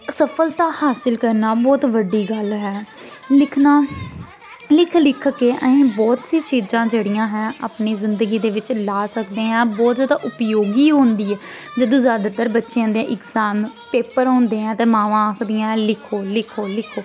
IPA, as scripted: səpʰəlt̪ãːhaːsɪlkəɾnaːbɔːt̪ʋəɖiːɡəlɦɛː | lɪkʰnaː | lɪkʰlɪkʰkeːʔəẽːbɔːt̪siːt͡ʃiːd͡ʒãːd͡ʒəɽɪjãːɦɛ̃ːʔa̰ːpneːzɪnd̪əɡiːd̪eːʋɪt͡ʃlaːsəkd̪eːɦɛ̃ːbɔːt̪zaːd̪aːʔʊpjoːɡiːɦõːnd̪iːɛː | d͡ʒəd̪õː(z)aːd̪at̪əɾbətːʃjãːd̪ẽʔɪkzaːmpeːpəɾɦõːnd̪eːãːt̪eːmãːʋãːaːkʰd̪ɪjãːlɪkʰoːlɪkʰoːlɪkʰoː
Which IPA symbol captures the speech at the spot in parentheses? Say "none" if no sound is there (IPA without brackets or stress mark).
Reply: z